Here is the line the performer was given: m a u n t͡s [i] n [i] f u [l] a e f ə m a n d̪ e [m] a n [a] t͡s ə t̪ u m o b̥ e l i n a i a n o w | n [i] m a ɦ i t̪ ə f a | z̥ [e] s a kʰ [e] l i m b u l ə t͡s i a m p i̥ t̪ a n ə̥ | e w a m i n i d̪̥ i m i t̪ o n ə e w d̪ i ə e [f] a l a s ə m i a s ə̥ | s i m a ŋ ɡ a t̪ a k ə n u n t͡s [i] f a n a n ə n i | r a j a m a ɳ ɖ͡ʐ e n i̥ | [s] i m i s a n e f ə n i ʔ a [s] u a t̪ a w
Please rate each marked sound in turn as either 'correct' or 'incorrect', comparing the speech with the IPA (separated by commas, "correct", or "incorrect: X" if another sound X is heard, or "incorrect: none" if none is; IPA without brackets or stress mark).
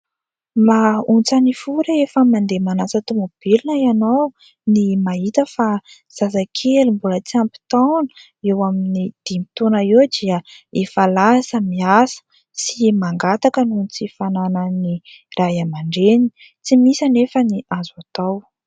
incorrect: a, correct, incorrect: ɾ, correct, correct, correct, incorrect: a, correct, correct, correct, incorrect: t͡s, incorrect: z